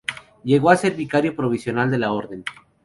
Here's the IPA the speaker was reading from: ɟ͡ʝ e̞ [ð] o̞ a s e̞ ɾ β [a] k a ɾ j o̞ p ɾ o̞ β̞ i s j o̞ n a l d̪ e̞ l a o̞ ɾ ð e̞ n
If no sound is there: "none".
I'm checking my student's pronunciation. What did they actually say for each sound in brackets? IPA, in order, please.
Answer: ɣ, i

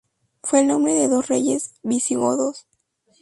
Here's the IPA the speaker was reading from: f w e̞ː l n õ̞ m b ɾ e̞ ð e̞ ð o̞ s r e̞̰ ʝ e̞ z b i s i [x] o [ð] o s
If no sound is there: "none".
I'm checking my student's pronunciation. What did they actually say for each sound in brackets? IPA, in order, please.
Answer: ɣ, ð

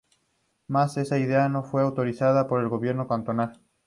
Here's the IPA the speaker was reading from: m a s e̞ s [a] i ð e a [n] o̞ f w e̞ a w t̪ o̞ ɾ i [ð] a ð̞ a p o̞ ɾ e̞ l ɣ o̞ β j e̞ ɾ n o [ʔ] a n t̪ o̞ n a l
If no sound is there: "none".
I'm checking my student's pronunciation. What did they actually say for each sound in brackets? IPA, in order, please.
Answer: a, n, θ, k

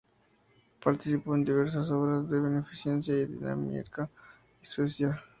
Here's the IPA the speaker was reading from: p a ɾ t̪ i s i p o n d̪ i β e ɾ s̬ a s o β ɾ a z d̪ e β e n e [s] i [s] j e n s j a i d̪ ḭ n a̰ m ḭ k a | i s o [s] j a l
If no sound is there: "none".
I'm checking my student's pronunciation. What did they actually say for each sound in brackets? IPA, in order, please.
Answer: f, s, s

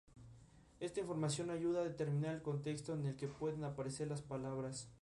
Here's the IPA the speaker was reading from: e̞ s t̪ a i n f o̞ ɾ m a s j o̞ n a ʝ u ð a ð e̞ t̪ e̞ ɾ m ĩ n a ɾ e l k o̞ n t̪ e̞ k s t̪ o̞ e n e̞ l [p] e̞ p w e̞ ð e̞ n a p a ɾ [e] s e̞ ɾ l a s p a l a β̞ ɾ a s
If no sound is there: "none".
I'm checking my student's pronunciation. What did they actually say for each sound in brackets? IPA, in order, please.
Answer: k, e

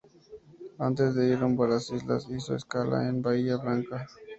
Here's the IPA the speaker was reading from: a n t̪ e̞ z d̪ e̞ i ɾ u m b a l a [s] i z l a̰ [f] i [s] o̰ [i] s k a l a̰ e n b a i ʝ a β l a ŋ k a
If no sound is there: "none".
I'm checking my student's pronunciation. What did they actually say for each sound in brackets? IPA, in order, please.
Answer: s, s, s, e

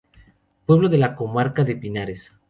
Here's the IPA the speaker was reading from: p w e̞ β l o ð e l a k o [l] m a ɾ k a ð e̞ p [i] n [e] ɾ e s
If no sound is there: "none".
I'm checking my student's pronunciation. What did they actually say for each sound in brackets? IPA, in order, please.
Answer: none, i, a

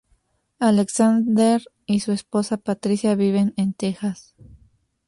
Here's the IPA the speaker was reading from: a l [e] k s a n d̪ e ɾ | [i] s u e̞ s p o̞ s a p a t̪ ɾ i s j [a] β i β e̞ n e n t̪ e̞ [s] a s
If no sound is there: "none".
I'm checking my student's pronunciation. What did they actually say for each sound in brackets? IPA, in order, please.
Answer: e, i, a, x

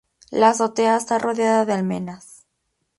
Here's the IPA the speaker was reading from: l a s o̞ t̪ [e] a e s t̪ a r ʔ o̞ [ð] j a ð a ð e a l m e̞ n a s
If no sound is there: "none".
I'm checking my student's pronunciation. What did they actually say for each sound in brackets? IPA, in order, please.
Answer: e, ð

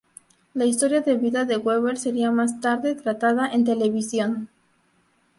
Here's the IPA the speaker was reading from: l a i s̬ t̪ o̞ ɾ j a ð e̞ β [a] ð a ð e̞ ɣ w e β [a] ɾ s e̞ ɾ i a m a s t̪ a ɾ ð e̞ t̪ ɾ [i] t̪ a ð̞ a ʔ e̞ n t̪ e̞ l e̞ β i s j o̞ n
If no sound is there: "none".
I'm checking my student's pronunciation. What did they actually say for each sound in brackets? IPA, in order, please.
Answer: i, e, a

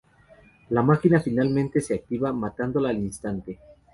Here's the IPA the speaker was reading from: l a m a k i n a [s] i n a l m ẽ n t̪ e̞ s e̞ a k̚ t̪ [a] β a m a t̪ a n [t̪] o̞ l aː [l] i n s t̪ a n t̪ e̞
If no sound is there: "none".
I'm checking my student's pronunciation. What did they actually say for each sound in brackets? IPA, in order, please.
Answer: f, i, d̪, l

